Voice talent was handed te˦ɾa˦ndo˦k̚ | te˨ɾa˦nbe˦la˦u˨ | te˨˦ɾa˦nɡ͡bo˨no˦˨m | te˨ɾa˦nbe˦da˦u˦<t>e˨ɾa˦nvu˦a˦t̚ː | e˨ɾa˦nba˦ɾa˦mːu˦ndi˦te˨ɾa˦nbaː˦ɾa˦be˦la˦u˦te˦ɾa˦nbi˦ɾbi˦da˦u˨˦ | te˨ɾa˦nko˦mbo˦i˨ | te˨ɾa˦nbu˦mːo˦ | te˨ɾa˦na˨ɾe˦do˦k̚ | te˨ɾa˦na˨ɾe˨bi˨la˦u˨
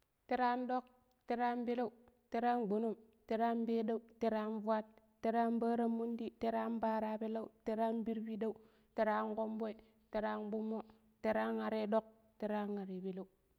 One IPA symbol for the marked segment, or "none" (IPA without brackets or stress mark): t